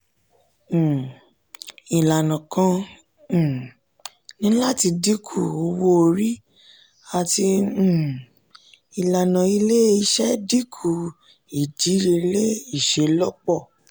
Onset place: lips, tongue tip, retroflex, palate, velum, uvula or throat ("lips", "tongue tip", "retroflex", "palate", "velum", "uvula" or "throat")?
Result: tongue tip